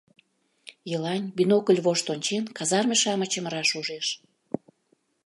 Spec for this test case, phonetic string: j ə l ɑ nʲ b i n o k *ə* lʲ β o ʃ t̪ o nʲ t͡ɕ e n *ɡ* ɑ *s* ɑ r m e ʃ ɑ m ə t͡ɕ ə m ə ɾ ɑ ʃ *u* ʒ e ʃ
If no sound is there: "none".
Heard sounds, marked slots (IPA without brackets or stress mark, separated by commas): ə, k, z, u